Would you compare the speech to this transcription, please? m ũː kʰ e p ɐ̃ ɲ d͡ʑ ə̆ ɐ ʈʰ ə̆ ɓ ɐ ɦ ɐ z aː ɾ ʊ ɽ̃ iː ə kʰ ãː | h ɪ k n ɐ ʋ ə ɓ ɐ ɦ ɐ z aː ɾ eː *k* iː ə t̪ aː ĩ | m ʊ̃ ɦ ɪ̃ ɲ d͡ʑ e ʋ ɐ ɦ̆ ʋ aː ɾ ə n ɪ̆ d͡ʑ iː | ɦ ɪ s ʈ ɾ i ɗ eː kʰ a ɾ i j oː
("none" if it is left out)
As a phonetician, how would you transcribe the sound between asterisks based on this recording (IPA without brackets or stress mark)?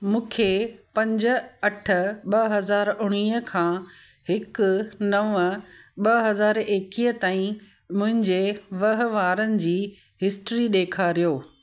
k